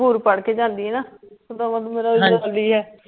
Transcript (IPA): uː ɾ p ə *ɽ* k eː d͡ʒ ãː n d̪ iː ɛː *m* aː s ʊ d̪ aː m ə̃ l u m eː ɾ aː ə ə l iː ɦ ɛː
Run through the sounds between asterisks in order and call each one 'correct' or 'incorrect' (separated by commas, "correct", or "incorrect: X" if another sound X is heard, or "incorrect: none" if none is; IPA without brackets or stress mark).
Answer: correct, incorrect: n